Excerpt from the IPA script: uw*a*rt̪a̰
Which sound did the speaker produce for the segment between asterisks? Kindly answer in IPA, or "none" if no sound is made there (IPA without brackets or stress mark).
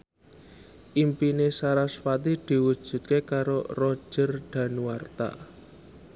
a